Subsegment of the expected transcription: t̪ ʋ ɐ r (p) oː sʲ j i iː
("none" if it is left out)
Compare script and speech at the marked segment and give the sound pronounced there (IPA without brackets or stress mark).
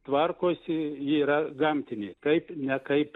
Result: k